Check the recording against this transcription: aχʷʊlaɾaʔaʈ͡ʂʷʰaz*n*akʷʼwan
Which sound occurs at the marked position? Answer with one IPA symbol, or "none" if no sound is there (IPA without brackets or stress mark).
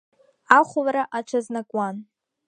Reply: n